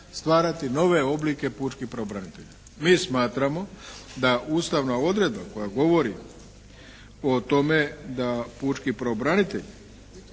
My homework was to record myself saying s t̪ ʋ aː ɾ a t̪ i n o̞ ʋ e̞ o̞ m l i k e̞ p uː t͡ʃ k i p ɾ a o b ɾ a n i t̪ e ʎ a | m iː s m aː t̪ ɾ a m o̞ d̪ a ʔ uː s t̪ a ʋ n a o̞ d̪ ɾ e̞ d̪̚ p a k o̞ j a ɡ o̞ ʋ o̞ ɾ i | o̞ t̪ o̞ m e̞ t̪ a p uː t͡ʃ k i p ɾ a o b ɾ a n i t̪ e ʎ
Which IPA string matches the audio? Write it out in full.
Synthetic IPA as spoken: s t̪ ʋ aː ɾ a t̪ i n o̞ ʋ e̞ o̞ b l i k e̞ p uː t͡ʃ k i p ɾ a o b ɾ a n i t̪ e ʎ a | m iː s m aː t̪ ɾ a m o̞ d̪ a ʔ uː s t̪ a ʋ n a o̞ d̪ ɾ e̞ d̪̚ b a k o̞ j a ɡ o̞ ʋ o̞ ɾ i | o̞ t̪ o̞ m e̞ d̪ a p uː t͡ʃ k i p ɾ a o b ɾ a n i t̪ e ʎ